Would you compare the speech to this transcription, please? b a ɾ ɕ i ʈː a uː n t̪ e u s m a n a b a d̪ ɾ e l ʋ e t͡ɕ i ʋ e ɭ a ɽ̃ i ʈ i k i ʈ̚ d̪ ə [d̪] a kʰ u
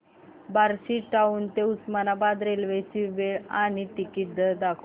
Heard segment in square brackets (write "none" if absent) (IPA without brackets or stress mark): d̪